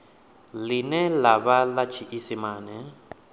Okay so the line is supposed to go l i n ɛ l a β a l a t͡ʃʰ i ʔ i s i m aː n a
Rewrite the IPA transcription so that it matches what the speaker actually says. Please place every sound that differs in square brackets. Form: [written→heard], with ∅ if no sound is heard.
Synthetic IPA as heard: l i n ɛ l a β a l a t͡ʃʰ i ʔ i s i m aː n [a→ɛ]